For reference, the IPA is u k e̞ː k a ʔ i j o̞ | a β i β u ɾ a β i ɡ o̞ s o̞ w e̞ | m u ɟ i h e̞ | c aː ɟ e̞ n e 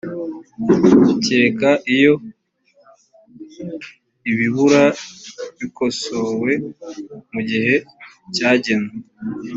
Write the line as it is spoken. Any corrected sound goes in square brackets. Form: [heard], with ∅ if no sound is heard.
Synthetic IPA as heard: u [c] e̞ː k a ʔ i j o̞ | [i] β i β u ɾ a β i [k] o̞ s o̞ w e̞ | m u ɟ i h e̞ | c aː ɟ e̞ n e